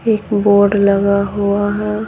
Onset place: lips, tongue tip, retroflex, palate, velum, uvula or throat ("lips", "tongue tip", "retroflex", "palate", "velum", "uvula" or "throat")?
velum